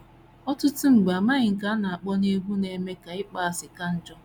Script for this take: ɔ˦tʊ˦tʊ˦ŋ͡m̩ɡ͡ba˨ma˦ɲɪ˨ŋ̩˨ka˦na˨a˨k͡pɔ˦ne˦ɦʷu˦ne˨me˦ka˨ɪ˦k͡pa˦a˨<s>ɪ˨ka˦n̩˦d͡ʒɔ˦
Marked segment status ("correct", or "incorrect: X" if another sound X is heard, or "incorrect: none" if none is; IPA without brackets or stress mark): correct